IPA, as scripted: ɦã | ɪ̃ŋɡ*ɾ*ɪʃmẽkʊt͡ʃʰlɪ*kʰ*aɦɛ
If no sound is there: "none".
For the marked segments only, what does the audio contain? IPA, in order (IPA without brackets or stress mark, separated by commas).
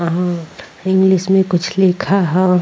l, kʰ